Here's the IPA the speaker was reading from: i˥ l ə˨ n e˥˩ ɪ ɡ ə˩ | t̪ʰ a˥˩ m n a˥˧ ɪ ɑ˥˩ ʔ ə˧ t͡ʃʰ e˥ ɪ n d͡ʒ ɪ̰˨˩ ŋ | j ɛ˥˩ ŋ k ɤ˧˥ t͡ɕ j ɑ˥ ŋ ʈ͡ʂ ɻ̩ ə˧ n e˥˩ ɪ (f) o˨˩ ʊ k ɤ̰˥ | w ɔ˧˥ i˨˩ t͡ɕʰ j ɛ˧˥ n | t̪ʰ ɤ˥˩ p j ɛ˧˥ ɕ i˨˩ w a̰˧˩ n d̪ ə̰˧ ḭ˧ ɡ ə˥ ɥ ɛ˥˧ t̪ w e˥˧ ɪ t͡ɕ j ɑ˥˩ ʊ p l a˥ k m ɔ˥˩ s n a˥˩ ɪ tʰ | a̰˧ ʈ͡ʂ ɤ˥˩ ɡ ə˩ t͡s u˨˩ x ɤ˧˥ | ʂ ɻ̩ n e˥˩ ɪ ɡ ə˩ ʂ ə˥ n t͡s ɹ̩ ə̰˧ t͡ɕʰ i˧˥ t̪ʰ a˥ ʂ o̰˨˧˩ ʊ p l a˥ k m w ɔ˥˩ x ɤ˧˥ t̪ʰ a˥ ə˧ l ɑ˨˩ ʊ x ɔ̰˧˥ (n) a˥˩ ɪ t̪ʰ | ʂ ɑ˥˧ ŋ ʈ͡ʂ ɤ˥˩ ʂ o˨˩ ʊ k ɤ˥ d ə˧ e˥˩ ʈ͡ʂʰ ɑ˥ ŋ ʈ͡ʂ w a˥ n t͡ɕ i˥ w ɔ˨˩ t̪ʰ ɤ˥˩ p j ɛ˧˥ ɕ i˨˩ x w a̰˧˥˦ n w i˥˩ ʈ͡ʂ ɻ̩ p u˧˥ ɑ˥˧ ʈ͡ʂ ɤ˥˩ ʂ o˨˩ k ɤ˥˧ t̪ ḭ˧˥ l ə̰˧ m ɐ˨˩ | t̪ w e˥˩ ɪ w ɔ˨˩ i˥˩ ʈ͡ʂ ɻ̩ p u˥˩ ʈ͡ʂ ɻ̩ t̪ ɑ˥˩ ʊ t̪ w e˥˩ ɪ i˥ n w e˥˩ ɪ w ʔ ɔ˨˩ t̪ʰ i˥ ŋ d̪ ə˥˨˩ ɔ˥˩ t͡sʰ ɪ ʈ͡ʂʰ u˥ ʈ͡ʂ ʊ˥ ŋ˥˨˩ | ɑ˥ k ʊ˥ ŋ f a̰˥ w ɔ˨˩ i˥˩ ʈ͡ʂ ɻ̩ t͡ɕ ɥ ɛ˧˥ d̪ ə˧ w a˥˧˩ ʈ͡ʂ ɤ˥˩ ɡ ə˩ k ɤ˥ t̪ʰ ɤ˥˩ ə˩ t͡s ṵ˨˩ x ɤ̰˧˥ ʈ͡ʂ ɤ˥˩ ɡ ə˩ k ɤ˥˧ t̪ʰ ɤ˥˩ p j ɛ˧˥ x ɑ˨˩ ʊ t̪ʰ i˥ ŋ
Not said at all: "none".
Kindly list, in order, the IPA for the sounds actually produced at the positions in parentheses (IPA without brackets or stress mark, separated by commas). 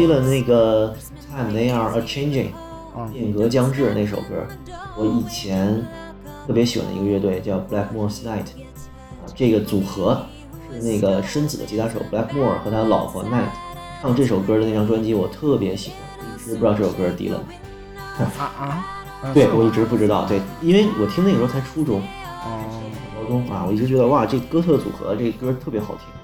ʂ, n